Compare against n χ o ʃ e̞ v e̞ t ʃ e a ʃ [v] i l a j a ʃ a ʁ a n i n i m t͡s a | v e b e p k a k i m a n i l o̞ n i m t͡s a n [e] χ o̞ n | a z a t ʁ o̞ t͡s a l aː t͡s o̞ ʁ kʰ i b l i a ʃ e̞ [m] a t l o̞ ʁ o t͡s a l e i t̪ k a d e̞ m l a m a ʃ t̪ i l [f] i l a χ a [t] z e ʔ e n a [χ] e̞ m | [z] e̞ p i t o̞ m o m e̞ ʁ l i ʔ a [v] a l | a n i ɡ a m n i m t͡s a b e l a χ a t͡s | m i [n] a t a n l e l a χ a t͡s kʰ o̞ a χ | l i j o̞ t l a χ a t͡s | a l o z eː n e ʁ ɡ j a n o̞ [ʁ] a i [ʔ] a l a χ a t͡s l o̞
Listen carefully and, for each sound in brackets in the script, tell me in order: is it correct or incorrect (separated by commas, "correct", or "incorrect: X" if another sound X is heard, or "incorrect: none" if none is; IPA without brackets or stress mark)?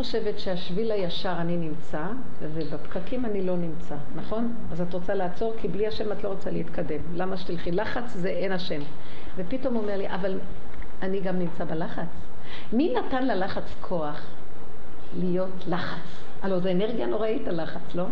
correct, incorrect: a, correct, incorrect: χ, incorrect: t͡s, incorrect: ʃ, incorrect: v, correct, correct, correct, incorrect: t